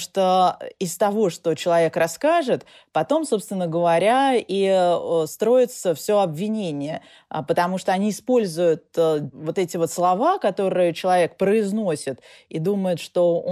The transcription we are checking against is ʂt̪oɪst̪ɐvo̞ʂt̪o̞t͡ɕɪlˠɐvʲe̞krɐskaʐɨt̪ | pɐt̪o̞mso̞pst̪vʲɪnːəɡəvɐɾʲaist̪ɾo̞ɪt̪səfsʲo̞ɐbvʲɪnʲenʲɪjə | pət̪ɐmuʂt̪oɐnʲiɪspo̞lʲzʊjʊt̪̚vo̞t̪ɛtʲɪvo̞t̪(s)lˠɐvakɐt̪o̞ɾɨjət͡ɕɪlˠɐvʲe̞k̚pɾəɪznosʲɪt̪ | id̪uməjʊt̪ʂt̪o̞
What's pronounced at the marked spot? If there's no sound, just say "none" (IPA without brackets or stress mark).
s